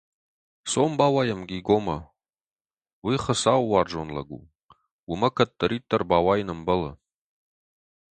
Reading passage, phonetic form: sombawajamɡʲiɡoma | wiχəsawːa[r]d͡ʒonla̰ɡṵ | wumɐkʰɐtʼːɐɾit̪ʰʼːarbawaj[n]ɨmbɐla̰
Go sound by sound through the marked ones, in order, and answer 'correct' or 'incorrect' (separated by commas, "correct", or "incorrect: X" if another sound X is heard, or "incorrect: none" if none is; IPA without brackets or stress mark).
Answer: correct, correct